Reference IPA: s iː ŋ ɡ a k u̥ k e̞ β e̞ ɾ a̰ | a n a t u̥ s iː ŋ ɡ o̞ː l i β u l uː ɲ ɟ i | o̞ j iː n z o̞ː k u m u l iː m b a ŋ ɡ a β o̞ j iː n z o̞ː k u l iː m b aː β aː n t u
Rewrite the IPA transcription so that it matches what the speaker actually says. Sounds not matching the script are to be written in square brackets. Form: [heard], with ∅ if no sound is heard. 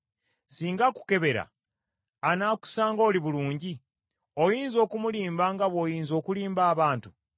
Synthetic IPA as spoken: s iː ŋ ɡ a k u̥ k e̞ β e̞ ɾ a̰ | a n a [k] u̥ s [aː] ŋ ɡ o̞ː l i β u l uː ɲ ɟ i | o̞ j iː n z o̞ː k u m u l iː m b a ŋ ɡ a β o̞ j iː n z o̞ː k u l iː m b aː β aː n t u